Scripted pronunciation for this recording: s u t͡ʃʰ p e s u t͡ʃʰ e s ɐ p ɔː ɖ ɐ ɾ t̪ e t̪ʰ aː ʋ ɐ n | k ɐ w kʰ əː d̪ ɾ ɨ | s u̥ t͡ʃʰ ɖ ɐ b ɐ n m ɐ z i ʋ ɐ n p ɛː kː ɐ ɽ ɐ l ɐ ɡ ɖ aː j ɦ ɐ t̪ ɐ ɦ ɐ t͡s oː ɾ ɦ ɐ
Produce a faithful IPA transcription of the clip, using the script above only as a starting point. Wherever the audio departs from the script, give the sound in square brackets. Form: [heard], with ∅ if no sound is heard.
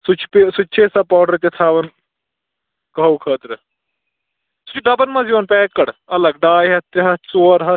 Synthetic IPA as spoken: s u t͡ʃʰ p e s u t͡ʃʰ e s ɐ p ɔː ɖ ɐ ɾ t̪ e t̪ʰ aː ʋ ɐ n | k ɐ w kʰ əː [t̪] ɾ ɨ | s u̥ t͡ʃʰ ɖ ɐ b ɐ n m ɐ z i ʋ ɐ n p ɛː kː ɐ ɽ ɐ l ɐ ɡ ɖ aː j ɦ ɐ t̪ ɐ ɦ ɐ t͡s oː ɾ ɦ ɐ